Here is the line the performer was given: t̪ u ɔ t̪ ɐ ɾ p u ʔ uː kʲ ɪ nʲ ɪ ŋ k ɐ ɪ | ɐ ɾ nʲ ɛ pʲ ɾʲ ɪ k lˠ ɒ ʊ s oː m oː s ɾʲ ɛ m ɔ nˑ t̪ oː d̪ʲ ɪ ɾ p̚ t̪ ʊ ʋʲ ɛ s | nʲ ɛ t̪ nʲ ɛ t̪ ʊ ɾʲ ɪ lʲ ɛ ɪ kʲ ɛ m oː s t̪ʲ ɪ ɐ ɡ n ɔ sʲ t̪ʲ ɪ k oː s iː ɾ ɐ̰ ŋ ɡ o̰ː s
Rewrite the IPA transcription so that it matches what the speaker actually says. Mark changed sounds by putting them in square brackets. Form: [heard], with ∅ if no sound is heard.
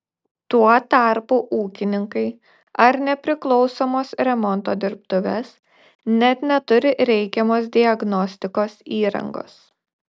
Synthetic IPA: t̪ u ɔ t̪ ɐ ɾ p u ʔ uː kʲ ɪ nʲ ɪ ŋ k ɐ ɪ | ɐ ɾ nʲ ɛ pʲ ɾʲ ɪ k lˠ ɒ ʊ s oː m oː s ɾʲ ɛ m ɔ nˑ t̪ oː d̪ʲ ɪ ɾ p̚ t̪ ʊ ʋʲ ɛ s | nʲ ɛ t̪ nʲ ɛ t̪ ʊ ɾʲ ɪ [ɾʲ] ɛ ɪ kʲ ɛ m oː s [d̪ʲ] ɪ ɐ ɡ n ɔ sʲ t̪ʲ ɪ k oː s iː ɾ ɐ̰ ŋ ɡ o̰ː s